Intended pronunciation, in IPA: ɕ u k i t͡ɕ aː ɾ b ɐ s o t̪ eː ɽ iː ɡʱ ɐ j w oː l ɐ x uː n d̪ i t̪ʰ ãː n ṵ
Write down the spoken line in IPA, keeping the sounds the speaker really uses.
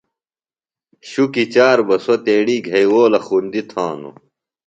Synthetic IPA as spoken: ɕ u k i t͡ɕ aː ɾ b ɐ s o t̪ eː ɽ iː ɡʱ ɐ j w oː l ɐ x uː n d̪ i t̪ʰ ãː n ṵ